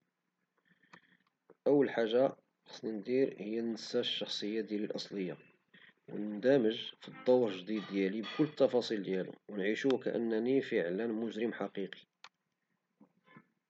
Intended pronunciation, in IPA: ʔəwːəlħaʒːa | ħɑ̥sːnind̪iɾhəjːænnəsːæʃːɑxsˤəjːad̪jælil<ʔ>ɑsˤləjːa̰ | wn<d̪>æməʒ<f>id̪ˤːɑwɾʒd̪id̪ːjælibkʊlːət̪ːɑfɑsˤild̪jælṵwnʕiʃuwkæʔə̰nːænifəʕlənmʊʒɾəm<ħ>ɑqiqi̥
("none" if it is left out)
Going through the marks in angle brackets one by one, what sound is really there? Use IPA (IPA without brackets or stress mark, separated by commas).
ʔ, d̪, f, ħ